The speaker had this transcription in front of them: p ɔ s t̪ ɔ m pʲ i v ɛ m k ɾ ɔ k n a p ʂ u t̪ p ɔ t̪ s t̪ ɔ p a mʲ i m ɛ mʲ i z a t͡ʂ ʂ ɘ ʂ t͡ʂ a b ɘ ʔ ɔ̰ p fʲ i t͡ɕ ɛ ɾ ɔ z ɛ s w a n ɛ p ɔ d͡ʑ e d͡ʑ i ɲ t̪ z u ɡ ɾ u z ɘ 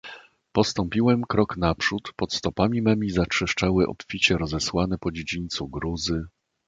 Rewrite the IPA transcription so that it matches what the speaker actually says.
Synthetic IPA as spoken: p ɔ s t̪ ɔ m pʲ i w ɛ m k ɾ ɔ k n a p ʂ u t̪ p ɔ t̪ s t̪ ɔ p a mʲ i m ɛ mʲ i z a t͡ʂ ʂ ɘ ʂ t͡ʂ a w ɘ ʔ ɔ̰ p fʲ i t͡ɕ ɛ ɾ ɔ z ɛ s w a n ɛ p ɔ d͡ʑ e d͡ʑ i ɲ t̪ s u ɡ ɾ u z ɘ

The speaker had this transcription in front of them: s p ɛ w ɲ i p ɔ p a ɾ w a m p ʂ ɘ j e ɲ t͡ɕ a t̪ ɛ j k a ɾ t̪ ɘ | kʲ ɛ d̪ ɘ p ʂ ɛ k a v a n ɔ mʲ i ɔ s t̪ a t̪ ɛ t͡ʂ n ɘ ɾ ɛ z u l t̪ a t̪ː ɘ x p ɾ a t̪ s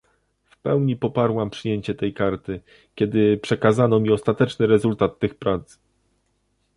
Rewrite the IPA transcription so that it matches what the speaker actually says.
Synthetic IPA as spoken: f p ɛ w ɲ i p ɔ p a ɾ w a m p ʂ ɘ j e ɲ t͡ɕ ɛ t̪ ɛ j k a ɾ t̪ ɘ | kʲ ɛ d̪ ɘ p ʂ ɛ k a z a n ɔ mʲ i ɔ s t̪ a t̪ ɛ t͡ʂ n ɘ ɾ ɛ z u l t̪ a t̪ː ɘ x p ɾ a t̪ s

